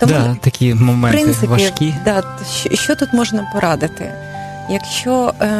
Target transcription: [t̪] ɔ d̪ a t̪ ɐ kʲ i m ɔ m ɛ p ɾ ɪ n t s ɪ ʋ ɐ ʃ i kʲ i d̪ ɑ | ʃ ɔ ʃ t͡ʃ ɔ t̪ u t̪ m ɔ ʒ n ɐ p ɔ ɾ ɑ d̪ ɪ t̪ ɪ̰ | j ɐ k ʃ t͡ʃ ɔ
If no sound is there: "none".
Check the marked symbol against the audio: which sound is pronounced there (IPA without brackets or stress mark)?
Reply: t̪